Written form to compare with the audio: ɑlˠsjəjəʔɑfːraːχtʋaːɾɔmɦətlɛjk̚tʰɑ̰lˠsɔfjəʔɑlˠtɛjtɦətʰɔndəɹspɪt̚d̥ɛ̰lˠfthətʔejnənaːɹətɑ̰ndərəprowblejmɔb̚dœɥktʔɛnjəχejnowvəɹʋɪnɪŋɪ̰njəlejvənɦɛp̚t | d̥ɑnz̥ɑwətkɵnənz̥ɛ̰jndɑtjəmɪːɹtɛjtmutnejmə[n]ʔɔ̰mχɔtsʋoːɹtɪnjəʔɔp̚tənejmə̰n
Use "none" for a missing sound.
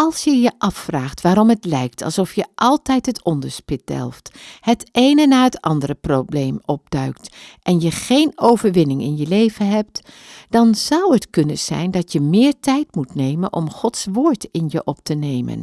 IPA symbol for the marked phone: n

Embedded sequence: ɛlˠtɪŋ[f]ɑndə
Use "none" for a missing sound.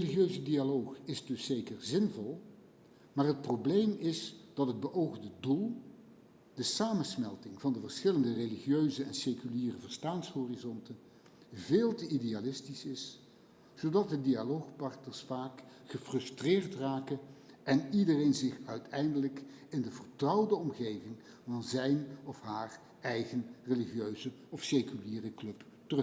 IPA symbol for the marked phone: v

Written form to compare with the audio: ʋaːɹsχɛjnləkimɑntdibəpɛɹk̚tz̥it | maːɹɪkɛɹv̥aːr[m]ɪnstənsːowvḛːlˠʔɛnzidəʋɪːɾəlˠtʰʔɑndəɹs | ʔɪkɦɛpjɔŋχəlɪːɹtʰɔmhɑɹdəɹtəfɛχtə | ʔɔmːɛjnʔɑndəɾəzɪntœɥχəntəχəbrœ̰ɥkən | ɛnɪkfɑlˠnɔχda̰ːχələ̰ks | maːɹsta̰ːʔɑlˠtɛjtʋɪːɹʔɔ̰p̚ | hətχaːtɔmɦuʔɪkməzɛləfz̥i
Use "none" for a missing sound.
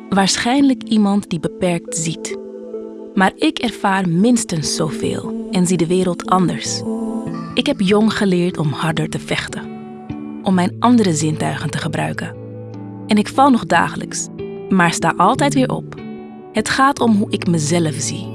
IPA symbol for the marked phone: m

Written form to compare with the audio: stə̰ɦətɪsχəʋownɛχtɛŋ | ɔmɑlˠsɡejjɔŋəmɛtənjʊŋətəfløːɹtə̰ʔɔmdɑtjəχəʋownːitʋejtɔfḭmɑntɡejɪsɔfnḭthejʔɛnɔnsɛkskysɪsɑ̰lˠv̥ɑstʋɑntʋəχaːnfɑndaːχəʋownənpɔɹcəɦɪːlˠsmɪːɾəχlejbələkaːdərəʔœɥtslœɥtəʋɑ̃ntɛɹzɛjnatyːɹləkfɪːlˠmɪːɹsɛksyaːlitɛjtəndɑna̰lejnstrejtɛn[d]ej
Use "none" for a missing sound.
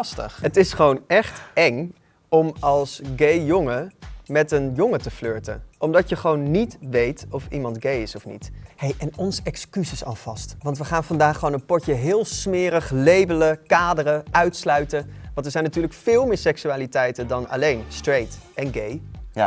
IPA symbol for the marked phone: ɡ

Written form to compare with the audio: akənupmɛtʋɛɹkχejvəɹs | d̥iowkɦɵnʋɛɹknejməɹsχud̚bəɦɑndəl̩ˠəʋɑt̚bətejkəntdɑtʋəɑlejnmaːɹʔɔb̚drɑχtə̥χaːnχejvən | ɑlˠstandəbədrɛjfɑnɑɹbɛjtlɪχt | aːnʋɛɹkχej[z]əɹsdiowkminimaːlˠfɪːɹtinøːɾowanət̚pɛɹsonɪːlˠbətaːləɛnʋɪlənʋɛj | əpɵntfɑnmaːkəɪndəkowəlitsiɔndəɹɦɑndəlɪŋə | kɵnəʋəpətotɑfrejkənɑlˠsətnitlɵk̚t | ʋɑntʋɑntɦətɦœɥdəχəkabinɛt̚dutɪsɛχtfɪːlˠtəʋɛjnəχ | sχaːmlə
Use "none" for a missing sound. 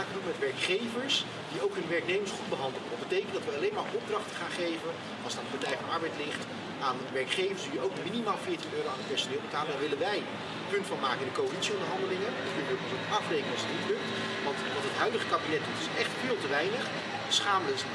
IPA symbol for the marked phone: v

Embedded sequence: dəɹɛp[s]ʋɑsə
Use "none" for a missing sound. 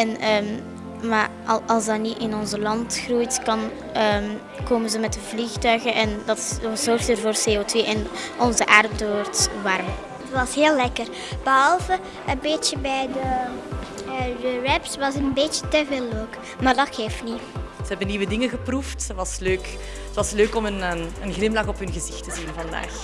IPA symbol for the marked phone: s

